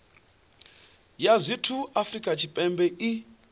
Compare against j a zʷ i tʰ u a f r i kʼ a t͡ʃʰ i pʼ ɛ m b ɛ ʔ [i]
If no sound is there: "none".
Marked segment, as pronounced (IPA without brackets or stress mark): i